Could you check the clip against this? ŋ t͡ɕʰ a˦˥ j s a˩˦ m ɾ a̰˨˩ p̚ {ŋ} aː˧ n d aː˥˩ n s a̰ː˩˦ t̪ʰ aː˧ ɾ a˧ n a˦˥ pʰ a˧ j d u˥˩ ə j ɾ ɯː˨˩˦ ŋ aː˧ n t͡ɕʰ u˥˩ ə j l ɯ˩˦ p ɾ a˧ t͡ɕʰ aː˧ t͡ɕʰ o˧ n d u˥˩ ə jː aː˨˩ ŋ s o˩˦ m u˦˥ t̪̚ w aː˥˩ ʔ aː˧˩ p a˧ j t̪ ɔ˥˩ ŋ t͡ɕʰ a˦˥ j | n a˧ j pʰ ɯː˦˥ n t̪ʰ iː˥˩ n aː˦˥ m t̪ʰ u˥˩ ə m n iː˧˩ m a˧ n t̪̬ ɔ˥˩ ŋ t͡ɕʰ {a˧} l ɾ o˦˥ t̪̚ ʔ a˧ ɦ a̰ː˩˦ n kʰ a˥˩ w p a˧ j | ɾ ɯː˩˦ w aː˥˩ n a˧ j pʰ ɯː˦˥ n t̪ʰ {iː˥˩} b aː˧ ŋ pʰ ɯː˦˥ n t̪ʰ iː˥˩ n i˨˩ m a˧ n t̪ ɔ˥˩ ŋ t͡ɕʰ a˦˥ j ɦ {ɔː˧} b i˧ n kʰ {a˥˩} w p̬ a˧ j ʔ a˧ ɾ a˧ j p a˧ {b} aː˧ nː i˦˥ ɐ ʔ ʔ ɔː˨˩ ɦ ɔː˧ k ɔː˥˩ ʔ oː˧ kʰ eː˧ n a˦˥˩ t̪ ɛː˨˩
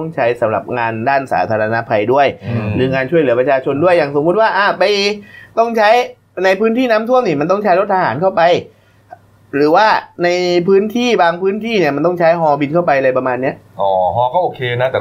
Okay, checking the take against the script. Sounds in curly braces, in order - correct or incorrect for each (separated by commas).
correct, incorrect, correct, correct, correct, incorrect